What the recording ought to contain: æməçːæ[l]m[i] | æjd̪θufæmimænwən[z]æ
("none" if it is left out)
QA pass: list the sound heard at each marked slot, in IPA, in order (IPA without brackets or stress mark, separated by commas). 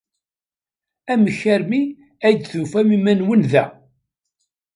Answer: ɾ, i, ð